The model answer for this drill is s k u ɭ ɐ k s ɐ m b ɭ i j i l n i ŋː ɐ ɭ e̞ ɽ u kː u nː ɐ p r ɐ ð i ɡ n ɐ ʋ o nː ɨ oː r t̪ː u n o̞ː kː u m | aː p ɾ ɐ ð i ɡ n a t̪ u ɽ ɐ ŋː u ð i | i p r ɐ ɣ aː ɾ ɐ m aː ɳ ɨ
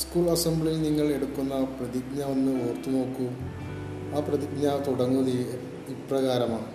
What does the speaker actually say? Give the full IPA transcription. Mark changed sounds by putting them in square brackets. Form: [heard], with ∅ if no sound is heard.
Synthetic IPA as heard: s k [uː] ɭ ɐ [∅] s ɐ m b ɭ i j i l n i ŋː ɐ ɭ e̞ ɽ u kː u nː ɐ p r ɐ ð i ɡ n ɐ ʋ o nː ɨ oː r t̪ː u n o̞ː kː u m | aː p [r] ɐ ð i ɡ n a t̪ u ɽ ɐ ŋː u ð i | i p r ɐ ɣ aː ɾ ɐ m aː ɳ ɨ